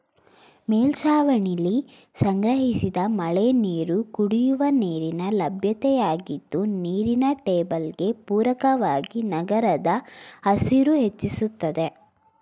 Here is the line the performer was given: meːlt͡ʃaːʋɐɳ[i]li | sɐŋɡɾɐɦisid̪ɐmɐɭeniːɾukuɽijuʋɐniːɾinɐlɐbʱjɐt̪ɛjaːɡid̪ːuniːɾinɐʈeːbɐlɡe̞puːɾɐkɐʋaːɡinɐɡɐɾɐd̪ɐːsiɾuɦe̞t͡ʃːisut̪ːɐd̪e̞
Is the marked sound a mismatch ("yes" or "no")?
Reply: no